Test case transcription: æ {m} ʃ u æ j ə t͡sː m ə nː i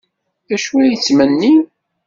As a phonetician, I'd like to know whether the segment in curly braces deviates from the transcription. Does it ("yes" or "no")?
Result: yes